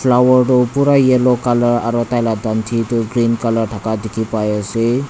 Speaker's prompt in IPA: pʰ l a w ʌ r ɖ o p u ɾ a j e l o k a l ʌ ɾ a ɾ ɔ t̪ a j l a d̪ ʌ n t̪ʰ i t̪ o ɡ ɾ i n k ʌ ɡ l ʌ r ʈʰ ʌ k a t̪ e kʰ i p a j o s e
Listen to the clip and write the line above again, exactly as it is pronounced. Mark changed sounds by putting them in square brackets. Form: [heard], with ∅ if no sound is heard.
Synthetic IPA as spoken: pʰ l a w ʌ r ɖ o p u ɾ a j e l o k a l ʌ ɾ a ɾ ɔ t̪ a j l a d̪ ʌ n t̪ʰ i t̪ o ɡ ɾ i n k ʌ [∅] l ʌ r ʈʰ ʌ k a [d̪] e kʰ i p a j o s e